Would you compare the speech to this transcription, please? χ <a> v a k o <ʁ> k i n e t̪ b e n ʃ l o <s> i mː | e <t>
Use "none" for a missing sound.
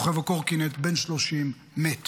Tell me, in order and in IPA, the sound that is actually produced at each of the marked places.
e, ʁ, ʃ, t

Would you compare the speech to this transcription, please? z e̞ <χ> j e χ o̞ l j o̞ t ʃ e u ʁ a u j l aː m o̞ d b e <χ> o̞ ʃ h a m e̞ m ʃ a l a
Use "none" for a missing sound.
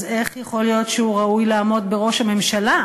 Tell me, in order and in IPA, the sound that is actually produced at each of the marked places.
χ, ʁ

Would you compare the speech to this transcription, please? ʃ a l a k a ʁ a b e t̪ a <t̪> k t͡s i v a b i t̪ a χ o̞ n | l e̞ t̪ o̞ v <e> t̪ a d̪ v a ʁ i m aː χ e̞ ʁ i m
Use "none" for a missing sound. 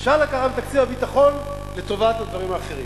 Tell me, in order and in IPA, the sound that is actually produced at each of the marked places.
none, a

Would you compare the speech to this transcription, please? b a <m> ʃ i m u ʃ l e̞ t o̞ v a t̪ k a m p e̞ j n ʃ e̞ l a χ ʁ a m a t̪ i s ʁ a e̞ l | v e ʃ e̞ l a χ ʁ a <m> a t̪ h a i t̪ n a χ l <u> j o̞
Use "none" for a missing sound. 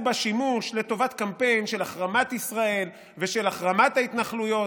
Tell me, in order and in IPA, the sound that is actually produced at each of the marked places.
none, m, u

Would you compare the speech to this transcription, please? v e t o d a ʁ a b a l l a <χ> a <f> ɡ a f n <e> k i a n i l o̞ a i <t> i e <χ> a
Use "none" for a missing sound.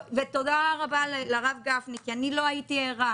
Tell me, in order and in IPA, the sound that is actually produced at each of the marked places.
ʁ, v, i, t, ʁ

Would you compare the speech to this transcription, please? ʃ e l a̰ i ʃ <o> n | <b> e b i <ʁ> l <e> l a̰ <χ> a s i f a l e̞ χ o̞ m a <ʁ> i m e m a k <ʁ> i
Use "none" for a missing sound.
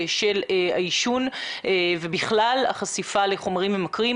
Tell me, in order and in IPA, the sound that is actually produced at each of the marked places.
u, v, χ, a, χ, ʁ, ʁ

